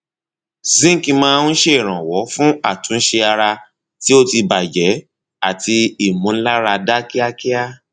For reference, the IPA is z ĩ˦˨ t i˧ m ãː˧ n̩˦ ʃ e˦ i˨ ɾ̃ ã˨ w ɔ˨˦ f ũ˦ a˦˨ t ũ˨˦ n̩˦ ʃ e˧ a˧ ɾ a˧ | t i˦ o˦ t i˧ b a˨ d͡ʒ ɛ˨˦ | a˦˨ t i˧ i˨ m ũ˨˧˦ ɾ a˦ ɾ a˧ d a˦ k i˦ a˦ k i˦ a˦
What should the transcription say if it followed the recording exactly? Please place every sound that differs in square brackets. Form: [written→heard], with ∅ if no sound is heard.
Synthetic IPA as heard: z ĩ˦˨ [t→k] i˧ m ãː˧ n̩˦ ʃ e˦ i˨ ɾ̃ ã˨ w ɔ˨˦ f ũ˦ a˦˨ t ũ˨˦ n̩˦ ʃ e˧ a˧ ɾ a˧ | t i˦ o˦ t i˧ b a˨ d͡ʒ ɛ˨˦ | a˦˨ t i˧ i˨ m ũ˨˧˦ [ɾ→l] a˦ ɾ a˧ d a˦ k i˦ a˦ k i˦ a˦